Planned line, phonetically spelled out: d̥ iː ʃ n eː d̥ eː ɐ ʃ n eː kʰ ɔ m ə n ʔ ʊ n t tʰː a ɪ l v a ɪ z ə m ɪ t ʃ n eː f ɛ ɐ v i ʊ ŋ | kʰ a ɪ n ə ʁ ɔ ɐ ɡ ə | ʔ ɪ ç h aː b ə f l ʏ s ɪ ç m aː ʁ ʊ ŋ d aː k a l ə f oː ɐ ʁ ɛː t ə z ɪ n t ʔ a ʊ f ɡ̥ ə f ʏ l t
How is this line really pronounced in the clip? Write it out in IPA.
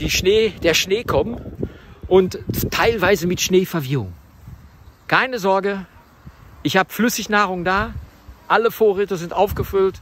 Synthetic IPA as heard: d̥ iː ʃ n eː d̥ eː ɐ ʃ n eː kʰ ɔ m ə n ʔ ʊ n t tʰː a ɪ l v a ɪ z ə m ɪ t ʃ n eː f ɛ ɐ v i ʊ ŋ | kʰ a ɪ n ə z ɔ ɐ ɡ ə | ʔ ɪ ç h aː b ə f l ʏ s ɪ ç n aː ʁ ʊ ŋ d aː ʔ a l ə f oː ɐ ʁ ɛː t ə z ɪ n t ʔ a ʊ f ɡ̥ ə f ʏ l t